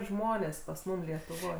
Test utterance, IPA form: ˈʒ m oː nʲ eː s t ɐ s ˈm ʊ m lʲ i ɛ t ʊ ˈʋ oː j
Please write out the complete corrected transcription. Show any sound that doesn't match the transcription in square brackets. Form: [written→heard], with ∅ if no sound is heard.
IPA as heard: ˈʒ m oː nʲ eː s [t→p] ɐ s ˈm ʊ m lʲ i ɛ t ʊ ˈʋ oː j